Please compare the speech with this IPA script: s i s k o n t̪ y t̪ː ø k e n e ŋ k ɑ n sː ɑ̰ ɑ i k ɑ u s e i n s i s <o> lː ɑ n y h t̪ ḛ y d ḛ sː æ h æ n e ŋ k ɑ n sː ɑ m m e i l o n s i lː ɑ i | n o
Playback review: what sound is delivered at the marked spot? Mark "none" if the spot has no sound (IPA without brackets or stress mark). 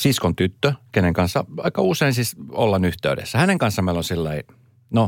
o